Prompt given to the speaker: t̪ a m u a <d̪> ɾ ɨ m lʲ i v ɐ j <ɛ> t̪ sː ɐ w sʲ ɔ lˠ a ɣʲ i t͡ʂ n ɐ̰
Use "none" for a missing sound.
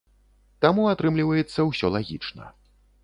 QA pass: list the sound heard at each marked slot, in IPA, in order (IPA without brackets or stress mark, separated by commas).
t̪, ɛ